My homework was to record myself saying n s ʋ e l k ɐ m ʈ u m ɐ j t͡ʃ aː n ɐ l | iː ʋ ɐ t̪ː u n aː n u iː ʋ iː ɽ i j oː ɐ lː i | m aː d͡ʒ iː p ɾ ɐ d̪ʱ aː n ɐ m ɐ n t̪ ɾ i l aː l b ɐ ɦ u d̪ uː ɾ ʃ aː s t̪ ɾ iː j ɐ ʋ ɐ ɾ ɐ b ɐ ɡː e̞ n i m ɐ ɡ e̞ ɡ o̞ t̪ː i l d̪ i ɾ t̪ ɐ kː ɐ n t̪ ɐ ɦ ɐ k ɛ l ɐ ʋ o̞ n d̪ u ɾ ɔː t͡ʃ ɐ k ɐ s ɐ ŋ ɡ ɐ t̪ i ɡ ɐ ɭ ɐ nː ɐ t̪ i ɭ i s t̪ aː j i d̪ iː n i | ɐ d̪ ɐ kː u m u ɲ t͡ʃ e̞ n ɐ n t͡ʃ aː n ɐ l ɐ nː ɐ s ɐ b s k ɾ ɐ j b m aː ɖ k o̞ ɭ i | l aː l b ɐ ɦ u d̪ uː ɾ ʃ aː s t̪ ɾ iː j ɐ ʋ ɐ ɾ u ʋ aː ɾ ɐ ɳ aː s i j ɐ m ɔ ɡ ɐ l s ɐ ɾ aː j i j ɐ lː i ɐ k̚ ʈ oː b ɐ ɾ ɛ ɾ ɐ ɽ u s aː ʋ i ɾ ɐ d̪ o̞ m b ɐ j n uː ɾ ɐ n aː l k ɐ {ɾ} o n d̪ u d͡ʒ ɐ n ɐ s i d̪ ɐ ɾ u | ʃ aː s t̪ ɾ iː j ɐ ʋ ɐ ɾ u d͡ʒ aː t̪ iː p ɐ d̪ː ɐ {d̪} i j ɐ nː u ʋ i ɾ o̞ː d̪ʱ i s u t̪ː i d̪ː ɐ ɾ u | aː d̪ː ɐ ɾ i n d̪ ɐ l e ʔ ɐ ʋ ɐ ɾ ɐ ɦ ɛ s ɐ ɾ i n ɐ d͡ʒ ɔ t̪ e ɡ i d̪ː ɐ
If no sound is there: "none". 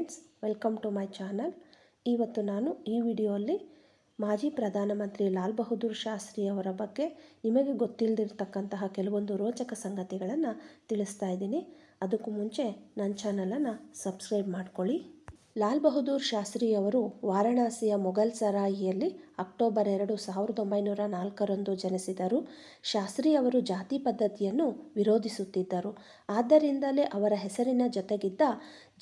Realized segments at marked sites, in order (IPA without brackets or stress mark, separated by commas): ɾ, t̪